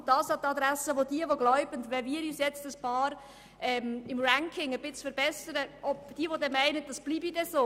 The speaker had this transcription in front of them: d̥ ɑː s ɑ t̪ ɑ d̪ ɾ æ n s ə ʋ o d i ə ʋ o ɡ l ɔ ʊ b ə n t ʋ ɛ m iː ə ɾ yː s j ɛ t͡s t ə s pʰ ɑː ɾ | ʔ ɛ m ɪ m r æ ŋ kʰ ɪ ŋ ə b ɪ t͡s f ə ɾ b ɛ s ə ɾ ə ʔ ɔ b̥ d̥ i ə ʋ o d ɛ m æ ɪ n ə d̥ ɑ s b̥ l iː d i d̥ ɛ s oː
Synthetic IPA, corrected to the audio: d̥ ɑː s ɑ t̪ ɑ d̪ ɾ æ s ə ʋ o d i ə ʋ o ɡ l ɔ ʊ b ə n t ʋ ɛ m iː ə ɾ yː s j ɛ t͡s t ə s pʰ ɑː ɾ | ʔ ɛ m ɪ m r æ ŋ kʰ ɪ ŋ ə b ɪ t͡s f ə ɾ b ɛ s ə ɾ ə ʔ ɔ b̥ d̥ i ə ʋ o d ɛ m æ ɪ n ə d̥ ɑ s b̥ l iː b i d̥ ɛ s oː